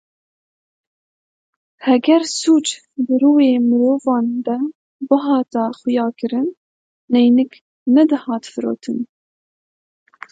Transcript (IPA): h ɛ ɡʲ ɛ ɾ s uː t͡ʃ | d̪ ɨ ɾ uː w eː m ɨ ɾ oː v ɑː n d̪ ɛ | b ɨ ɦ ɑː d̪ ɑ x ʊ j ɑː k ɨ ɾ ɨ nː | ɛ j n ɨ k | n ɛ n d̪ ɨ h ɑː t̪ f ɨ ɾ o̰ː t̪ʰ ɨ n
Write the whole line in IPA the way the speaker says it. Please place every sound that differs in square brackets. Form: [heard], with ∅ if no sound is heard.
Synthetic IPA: h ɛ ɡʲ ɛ ɾ s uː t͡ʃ | d̪ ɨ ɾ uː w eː m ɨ ɾ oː v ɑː n d̪ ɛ | b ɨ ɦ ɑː [t̪] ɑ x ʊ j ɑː k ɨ ɾ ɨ nː | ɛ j n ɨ k | n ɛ [∅] d̪ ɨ h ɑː t̪ f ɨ ɾ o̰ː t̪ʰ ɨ n

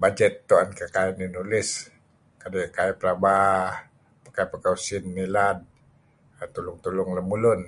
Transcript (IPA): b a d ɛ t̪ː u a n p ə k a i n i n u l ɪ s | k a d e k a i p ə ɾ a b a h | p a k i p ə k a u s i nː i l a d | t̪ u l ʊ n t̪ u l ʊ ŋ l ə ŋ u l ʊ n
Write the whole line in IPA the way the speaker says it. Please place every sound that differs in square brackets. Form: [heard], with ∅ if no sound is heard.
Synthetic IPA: b a [d͡ʒ] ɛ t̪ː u a n [k] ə k a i n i n u l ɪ s | k a d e k a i p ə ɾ a b a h | p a k [a] p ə k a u s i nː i l a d | t̪ u l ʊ [ŋ] t̪ u l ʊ ŋ l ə [m] u l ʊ n

